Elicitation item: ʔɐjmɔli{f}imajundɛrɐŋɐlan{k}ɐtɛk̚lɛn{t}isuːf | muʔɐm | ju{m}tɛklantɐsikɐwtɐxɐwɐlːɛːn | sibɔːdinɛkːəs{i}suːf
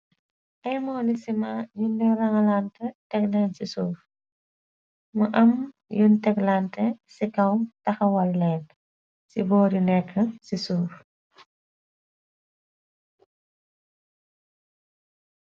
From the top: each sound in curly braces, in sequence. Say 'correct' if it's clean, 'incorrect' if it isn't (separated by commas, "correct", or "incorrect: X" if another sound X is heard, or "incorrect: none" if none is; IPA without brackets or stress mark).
incorrect: s, incorrect: t, incorrect: s, incorrect: n, correct